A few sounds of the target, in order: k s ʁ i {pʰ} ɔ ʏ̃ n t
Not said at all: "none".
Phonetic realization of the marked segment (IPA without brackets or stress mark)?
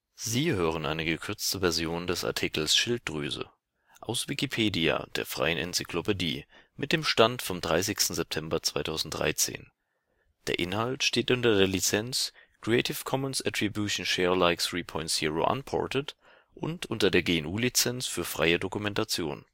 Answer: pʰ